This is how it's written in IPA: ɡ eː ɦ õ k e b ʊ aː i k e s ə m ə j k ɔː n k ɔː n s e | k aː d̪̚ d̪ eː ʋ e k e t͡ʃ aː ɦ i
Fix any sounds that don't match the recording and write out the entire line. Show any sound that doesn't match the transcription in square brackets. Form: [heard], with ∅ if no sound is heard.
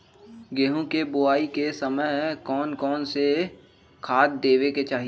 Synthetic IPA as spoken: ɡ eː ɦ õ k e b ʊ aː i k e s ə m ə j k ɔː n k ɔː n s e | [kʰ] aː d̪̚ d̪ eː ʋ e k e t͡ʃ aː ɦ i